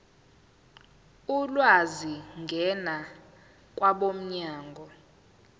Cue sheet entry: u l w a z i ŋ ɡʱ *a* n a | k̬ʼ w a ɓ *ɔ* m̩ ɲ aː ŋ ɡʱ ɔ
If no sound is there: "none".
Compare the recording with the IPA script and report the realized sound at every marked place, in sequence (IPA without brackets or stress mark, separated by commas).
ɛ, o